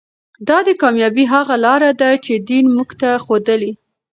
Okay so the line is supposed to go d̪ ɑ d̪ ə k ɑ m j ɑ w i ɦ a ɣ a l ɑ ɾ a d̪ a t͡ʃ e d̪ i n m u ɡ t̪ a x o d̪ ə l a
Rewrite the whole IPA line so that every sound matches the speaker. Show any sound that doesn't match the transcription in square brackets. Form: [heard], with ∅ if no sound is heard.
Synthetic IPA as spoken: d̪ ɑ d̪ ə k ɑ m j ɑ [b] i ɦ a ɣ a l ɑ ɾ a d̪ a t͡ʃ e d̪ i n m u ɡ t̪ a x o d̪ ə l [i]